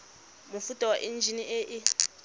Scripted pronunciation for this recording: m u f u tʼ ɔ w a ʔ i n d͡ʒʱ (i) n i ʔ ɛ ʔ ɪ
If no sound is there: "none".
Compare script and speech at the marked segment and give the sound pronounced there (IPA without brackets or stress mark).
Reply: i